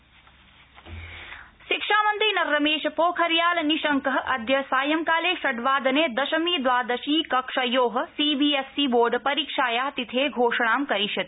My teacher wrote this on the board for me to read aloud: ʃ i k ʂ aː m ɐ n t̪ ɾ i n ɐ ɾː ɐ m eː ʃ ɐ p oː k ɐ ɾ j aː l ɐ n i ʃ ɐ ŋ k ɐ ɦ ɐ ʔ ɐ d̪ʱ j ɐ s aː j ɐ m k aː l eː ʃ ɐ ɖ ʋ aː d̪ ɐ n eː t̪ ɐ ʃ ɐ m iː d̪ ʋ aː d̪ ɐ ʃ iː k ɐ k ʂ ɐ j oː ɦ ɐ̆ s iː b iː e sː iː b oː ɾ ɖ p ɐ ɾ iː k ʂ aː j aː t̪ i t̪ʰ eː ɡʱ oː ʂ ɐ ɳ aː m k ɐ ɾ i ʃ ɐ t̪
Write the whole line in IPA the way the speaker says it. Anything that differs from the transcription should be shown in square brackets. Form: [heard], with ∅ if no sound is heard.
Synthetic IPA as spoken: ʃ i k ʂ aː m ɐ n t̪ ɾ i n ɐ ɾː ɐ m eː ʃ ɐ p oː [kʰ] ɐ ɾ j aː l ɐ n i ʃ ɐ ŋ k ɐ ɦ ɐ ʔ ɐ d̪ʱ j ɐ s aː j ɐ m k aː l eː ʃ ɐ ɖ ʋ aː d̪ ɐ n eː [d̪] ɐ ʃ ɐ m iː d̪ ʋ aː d̪ ɐ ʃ iː k ɐ k ʂ ɐ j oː ɦ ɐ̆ s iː b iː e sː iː b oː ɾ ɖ p ɐ ɾ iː k ʂ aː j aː t̪ i t̪ʰ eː ɡʱ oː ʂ ɐ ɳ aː m k ɐ ɾ i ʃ ɐ t̪

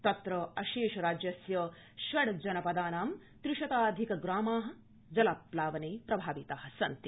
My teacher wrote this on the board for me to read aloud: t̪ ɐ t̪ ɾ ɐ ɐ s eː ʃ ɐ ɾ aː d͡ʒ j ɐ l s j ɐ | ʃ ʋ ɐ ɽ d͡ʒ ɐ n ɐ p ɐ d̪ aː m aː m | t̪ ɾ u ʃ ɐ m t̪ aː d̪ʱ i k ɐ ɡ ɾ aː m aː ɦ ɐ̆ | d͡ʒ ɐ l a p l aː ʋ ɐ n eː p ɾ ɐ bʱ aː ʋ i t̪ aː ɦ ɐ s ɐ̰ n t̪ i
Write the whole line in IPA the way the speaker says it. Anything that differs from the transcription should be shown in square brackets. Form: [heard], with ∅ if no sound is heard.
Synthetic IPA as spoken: t̪ ɐ t̪ ɾ ɐ ɐ [ʃ] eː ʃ ɐ ɾ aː d͡ʒ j ɐ [∅] s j ɐ | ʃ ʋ ɐ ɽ d͡ʒ ɐ n ɐ p ɐ d̪ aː [n] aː m | t̪ ɾ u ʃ ɐ [∅] t̪ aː d̪ʱ i k ɐ ɡ ɾ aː m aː ɦ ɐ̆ | d͡ʒ ɐ l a p l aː ʋ ɐ n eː p ɾ ɐ bʱ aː ʋ i t̪ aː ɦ ɐ s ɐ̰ n t̪ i

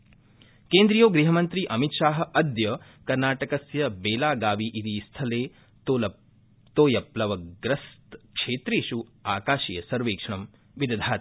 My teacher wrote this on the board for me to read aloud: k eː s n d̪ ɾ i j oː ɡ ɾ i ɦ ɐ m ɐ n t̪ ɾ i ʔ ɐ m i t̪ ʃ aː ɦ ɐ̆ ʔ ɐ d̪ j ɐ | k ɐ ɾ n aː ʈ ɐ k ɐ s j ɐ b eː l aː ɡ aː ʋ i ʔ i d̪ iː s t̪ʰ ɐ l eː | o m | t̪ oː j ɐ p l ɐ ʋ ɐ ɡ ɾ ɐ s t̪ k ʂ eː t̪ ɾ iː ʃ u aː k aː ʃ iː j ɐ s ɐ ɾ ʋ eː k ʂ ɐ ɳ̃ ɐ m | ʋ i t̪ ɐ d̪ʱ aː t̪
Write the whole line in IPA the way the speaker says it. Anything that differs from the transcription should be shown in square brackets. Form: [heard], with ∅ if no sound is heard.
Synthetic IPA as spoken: k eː [∅] n d̪ ɾ i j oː ɡ ɾ i ɦ ɐ m ɐ n t̪ ɾ i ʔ ɐ m i t̪ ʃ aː ɦ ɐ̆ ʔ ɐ d̪ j ɐ | k ɐ ɾ n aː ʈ ɐ k ɐ s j ɐ b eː l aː ɡ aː ʋ i ʔ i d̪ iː s t̪ʰ ɐ l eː | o [∅] | t̪ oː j ɐ p l ɐ ʋ ɐ ɡ ɾ ɐ s t̪ k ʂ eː t̪ ɾ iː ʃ u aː k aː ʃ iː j ɐ s ɐ ɾ ʋ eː k ʂ ɐ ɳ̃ ɐ m | ʋ i [d̪] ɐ d̪ʱ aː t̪

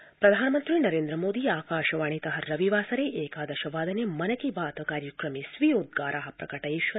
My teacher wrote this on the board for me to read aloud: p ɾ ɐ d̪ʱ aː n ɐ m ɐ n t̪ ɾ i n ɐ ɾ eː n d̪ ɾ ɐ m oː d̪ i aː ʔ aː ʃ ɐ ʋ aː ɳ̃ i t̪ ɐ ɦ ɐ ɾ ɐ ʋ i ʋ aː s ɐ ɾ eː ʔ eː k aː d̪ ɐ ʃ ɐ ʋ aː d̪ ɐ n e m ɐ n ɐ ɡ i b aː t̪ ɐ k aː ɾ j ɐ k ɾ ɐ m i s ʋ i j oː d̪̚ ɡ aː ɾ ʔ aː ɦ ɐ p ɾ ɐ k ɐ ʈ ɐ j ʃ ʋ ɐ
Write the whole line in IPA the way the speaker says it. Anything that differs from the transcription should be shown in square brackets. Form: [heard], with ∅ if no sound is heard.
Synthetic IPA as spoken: p ɾ ɐ d̪ʱ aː n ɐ m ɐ n t̪ ɾ i n ɐ ɾ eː n d̪ ɾ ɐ m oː d̪ i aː [k] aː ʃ ɐ ʋ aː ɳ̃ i t̪ ɐ ɦ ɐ ɾ ɐ ʋ i ʋ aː s ɐ ɾ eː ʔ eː k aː d̪ ɐ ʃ ɐ ʋ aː d̪ ɐ n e m ɐ n ɐ [k] i b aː t̪ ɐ k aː ɾ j ɐ k ɾ ɐ m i s ʋ i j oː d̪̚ ɡ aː ɾ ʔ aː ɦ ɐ p ɾ ɐ k ɐ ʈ ɐ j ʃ ʋ ɐ

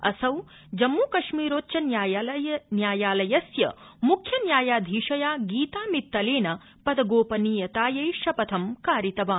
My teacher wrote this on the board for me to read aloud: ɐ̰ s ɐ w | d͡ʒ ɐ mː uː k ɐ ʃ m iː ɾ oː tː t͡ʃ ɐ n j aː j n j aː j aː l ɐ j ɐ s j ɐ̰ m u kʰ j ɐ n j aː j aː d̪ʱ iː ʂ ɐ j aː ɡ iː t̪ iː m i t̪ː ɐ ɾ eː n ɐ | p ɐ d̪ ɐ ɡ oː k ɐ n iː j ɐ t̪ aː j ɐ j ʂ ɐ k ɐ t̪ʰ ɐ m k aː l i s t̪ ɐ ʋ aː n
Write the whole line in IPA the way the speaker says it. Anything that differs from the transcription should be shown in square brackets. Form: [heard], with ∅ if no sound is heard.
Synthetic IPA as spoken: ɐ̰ s ɐ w | d͡ʒ ɐ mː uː k ɐ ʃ m iː ɾ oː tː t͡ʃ ɐ n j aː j n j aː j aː l ɐ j ɐ s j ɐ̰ m u kʰ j ɐ n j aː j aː d̪ʱ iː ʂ ɐ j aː ɡ iː t̪ [aː] m i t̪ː ɐ [l] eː n ɐ | p ɐ d̪ ɐ ɡ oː [p] ɐ n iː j ɐ t̪ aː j ɐ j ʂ ɐ [p] ɐ t̪ʰ ɐ m k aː [ɾ] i [∅] t̪ ɐ ʋ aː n

